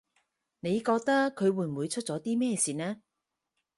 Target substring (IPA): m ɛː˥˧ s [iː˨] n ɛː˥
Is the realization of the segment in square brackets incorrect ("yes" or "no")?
no